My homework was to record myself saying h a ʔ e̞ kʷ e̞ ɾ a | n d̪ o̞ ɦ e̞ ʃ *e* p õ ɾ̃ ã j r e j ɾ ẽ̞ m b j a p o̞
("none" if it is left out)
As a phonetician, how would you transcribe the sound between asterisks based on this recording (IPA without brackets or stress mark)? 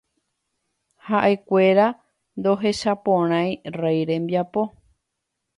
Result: a